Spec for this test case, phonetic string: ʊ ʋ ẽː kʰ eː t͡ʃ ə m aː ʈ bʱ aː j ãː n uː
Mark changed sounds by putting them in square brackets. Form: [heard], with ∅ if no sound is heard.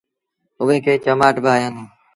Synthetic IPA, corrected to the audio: ʊ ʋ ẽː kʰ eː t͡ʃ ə m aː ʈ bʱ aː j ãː n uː